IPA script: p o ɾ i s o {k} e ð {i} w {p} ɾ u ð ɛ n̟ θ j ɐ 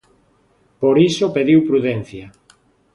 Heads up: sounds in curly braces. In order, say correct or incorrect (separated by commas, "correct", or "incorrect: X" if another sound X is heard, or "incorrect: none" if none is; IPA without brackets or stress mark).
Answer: incorrect: p, correct, correct